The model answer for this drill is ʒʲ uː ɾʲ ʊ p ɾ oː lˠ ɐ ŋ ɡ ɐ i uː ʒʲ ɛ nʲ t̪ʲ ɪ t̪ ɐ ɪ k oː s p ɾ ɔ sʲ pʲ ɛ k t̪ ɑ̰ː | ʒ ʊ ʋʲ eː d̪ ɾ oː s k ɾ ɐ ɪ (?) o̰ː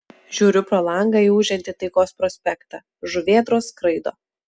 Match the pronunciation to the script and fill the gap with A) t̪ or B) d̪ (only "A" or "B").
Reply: B